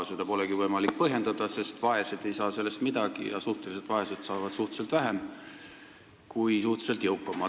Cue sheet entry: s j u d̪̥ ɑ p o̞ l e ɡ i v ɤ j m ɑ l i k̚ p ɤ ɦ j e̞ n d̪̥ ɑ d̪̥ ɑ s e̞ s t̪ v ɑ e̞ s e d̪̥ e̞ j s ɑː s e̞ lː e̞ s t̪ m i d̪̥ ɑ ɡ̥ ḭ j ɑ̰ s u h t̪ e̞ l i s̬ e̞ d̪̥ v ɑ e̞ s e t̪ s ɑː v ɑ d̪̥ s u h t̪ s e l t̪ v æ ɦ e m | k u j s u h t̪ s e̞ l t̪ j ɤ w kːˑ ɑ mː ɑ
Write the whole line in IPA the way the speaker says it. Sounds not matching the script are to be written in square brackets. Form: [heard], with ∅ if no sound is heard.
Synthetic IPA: s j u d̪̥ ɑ p o̞ l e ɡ i v ɤ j m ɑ l i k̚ p ɤ ɦ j e̞ n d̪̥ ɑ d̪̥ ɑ s e̞ s t̪ v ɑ e̞ s e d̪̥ e̞ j s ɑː s e̞ lː e̞ s t̪ m i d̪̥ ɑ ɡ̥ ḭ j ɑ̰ s u h t̪ e̞ l i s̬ e̞ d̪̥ v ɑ e̞ s e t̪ s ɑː v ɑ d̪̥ s u h t̪ s e l t̪ v æ ɦ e m | k u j s u h t̪ s e̞ l t̪ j ɤ w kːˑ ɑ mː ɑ

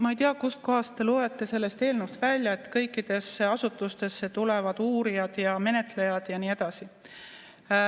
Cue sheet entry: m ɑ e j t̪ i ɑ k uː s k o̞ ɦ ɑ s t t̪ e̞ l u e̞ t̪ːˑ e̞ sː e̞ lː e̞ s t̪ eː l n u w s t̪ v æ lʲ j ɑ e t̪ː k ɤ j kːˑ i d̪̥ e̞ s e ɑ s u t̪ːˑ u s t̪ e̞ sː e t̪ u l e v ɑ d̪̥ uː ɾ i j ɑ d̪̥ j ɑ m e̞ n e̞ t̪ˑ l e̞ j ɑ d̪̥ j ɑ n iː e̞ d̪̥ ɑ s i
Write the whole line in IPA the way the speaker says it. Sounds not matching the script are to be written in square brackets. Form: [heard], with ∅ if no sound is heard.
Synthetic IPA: m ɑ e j t̪ i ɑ k [u] s k o̞ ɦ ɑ s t t̪ e̞ l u e̞ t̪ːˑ e̞ [s] e̞ lː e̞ s t̪ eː l n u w s t̪ v æ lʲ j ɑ e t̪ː k ɤ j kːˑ i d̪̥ e̞ s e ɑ s u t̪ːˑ u s t̪ e̞ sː e t̪ u l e v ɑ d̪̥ uː ɾ i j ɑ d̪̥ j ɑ m e̞ n e̞ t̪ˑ l e̞ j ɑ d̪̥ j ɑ n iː e̞ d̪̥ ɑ s i

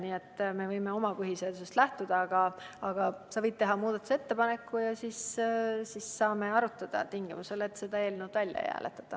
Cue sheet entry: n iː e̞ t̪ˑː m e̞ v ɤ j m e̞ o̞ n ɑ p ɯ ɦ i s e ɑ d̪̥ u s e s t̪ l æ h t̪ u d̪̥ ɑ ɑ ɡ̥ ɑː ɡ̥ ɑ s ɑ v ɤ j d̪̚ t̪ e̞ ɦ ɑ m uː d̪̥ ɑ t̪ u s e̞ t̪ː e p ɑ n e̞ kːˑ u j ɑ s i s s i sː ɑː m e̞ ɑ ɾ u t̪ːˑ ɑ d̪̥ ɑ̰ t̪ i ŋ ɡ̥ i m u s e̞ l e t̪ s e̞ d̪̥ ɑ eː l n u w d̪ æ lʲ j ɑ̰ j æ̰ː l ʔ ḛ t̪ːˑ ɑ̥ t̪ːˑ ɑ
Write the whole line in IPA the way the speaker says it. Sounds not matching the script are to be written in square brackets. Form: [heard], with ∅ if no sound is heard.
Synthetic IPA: n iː e̞ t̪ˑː m e̞ v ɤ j m e̞ o̞ [m] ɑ p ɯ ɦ i s e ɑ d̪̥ u s e s t̪ l æ h t̪ u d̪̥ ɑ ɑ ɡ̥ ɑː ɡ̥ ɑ s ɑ v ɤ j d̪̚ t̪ e̞ ɦ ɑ m uː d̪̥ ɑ t̪ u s e̞ t̪ː e p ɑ n e̞ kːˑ u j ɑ s i s s i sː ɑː m e̞ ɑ ɾ u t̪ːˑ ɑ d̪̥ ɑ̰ t̪ i ŋ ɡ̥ i m u s e̞ l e t̪ s e̞ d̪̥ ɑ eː l n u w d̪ æ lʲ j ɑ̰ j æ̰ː l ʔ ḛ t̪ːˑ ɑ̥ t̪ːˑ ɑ

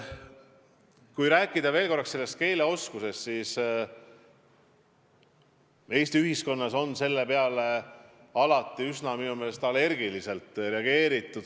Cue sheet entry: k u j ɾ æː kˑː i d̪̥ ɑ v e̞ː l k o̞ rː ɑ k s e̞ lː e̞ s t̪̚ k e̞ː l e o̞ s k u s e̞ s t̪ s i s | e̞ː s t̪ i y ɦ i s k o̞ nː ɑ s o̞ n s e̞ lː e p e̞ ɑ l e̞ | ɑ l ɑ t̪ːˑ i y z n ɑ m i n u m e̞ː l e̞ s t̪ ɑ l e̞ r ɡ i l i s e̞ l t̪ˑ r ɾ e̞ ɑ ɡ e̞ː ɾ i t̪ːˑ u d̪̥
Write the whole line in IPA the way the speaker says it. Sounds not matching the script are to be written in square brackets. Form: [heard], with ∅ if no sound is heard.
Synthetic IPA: k u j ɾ æː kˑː i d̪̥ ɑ v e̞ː l k o̞ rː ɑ k s e̞ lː e̞ s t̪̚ k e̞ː l e o̞ s k u s e̞ s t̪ s i s | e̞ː s t̪ i y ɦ i s k o̞ nː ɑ s o̞ n s e̞ lː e p e̞ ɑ l e̞ | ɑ l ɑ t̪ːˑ i y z n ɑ m i n u m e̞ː l e̞ s t̪ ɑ l e̞ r ɡ i l i s e̞ l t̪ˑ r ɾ e̞ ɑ ɡ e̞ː ɾ i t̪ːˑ u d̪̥

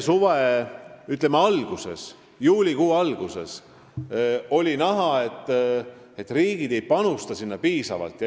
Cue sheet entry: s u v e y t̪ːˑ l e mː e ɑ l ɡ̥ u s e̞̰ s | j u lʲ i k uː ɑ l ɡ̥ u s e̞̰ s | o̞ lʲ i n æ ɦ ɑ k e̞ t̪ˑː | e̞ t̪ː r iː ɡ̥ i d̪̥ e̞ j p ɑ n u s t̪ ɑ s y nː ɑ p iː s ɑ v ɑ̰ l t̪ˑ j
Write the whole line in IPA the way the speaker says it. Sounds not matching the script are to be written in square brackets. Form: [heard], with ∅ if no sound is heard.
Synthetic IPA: s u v e y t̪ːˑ l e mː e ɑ l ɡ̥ u s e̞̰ s | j [uː] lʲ i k uː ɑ l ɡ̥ u s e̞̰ s | o̞ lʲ i n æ ɦ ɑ [∅] e̞ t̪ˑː | e̞ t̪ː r iː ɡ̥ i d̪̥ e̞ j p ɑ n u s t̪ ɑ s [i] nː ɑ p iː s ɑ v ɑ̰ l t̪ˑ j

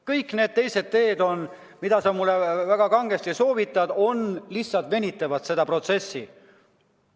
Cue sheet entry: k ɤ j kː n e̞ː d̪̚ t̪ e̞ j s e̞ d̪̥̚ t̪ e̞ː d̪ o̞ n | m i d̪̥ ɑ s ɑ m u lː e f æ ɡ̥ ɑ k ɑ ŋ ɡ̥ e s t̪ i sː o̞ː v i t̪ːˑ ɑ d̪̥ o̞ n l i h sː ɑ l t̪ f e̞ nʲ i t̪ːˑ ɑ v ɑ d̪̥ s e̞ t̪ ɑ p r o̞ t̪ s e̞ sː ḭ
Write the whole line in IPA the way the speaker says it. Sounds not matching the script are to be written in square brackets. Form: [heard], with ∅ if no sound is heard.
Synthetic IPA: k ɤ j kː n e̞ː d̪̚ t̪ e̞ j s e̞ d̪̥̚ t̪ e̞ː d̪ o̞ n | m i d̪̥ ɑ s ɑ m u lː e [v] æ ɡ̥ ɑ k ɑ ŋ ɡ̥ e s t̪ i [s] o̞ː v i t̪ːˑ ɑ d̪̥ o̞ n l i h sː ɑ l t̪ [v] e̞ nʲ i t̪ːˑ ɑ v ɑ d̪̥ s e̞ [d̪] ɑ p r o̞ t̪ s e̞ sː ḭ

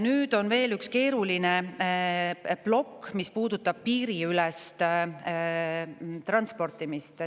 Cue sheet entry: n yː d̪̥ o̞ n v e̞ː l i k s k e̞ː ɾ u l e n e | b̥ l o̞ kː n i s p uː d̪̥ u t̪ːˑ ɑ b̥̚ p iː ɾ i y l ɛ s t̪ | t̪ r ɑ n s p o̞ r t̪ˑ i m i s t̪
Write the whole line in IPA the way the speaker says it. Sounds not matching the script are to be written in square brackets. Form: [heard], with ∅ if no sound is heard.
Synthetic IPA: n yː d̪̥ o̞ n v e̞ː l [y] k s k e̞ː ɾ u l [i] n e | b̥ l o̞ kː [m] i s p uː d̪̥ u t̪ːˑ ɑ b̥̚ p iː ɾ i y l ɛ s t̪ | t̪ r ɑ n s p o̞ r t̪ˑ i m i s t̪

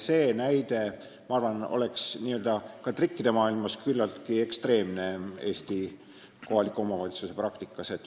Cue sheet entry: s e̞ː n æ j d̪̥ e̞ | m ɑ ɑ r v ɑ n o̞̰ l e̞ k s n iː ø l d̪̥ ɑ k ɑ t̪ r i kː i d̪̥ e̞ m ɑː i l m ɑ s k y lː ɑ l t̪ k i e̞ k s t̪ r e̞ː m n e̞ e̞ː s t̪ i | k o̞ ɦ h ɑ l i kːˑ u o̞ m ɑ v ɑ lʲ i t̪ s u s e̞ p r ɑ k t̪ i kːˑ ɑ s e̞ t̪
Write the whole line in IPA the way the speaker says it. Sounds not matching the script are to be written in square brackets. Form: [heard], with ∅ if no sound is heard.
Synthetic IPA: s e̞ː n æ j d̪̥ e̞ | m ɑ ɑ r v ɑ n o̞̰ l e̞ k s n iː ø l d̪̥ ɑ k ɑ t̪ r i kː i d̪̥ e̞ m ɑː i l m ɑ s k y lː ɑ l t̪ k i e̞ k s t̪ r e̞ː m n e̞ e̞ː s t̪ i | k o̞ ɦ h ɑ l i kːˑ u o̞ m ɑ v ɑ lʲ i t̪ s u s e̞ p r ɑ k t̪ i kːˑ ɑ s e̞ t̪

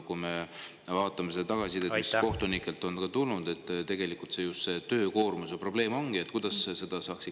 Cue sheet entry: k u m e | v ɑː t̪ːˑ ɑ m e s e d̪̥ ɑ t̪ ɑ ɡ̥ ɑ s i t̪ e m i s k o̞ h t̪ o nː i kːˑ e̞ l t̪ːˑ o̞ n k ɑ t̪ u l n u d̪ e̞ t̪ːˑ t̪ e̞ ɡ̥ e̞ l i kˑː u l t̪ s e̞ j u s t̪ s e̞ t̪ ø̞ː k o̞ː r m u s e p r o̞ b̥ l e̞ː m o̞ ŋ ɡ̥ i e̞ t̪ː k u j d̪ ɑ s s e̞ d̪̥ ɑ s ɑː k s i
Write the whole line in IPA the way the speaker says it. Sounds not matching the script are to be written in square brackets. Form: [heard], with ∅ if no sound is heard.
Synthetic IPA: k u m e | v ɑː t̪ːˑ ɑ m e s e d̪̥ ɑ t̪ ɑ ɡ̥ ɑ s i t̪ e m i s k o̞ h t̪ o [n] i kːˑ e̞ l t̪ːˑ o̞ n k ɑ t̪ u l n u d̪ e̞ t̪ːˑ t̪ e̞ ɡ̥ e̞ l i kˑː u l t̪ s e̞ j u s t̪ s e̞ t̪ ø̞ː k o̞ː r m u s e p r o̞ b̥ l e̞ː m o̞ ŋ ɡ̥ i e̞ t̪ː k u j d̪ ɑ s s e̞ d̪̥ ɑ s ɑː k s i

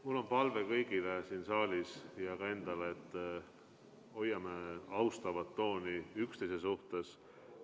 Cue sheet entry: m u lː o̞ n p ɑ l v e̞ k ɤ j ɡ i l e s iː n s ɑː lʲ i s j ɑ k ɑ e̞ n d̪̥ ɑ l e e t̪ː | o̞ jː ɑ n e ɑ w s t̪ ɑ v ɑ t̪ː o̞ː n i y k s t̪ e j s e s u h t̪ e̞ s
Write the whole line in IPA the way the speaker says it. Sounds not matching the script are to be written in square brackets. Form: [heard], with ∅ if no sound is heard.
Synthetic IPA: m u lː o̞ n p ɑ l v e̞ k ɤ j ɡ i l e s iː n s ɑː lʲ i s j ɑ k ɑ e̞ n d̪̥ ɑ l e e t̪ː | o̞ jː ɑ [m] e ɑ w s t̪ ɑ v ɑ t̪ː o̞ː n i y k s t̪ e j s e s u h t̪ e̞ s

